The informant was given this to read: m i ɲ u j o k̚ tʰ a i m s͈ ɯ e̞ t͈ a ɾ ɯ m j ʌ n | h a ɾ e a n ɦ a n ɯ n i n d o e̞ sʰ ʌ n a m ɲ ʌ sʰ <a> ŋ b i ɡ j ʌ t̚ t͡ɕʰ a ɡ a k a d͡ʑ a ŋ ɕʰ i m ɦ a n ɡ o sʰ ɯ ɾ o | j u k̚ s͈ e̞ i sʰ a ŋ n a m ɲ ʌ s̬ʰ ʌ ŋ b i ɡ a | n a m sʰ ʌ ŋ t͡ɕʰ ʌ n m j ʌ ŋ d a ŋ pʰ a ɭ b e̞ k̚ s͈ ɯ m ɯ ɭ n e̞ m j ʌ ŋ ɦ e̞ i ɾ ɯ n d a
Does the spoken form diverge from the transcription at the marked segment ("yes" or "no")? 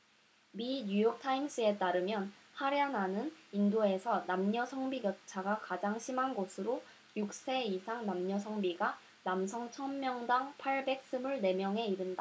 yes